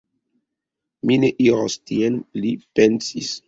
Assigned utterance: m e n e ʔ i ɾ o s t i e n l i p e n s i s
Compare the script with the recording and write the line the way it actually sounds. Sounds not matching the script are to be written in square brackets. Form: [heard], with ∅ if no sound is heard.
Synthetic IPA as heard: m [i] n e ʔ i ɾ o s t i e n l i p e n s i s